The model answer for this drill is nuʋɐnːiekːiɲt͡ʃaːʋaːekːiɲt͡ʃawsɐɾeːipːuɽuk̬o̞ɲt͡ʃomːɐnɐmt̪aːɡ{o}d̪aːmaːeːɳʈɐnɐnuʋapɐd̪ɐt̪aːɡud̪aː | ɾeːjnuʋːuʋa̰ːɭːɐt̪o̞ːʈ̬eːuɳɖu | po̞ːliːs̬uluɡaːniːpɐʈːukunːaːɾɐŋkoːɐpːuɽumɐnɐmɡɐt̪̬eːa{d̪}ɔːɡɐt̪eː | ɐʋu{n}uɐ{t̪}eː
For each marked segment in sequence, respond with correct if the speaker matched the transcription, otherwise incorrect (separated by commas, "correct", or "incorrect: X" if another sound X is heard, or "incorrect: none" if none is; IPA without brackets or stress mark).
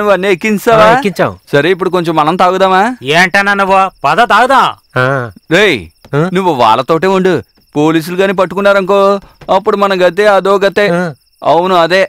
incorrect: u, correct, correct, incorrect: d̪